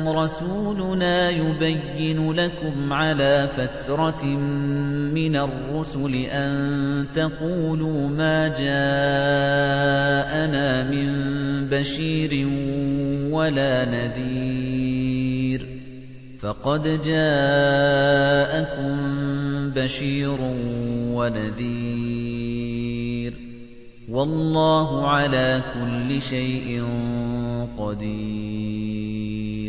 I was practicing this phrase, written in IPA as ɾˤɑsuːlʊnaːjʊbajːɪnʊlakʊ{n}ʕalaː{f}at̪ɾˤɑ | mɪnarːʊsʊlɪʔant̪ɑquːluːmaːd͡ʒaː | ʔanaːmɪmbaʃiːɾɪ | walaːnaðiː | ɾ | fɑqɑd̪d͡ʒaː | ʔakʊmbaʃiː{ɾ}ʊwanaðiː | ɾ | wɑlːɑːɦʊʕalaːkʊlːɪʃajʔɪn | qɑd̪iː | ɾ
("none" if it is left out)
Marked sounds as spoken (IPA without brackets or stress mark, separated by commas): m, f, ɾ